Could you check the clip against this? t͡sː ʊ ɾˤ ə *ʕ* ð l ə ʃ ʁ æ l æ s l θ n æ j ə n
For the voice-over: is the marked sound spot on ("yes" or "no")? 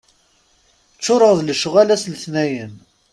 no